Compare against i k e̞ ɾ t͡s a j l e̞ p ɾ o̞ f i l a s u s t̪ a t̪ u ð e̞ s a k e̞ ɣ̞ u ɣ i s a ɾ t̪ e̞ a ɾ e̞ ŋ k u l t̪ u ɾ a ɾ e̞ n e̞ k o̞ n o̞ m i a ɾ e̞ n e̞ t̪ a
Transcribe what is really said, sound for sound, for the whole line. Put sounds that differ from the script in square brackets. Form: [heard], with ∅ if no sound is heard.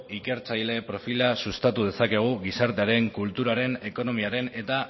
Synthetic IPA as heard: i k e̞ ɾ t͡s a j l e̞ p ɾ o̞ f i l a s u s t̪ a t̪ u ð e̞ s a k e̞ ɣ̞ u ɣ i s a ɾ t̪ e̞ a ɾ e̞ ŋ k u l t̪ u ɾ a ɾ e̞ n e̞ k o̞ n o̞ m i a ɾ e̞ n e̞ t̪ a